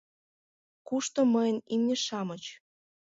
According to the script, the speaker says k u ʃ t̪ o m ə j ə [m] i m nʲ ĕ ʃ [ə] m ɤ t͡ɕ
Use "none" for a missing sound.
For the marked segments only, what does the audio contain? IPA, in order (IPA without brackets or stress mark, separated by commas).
n, ɑ